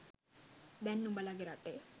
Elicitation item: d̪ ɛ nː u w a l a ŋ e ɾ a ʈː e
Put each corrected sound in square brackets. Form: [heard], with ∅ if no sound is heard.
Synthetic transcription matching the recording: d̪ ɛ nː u [b] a l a [ɡ] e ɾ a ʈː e